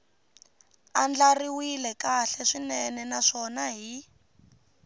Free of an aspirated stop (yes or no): yes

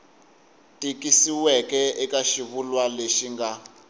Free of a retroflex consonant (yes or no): yes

